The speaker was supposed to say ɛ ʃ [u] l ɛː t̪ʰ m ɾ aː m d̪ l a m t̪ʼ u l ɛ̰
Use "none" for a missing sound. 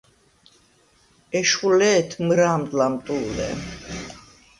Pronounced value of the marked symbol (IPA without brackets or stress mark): u